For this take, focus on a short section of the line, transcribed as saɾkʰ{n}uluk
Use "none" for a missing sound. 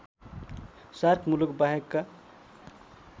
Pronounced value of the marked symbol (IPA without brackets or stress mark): m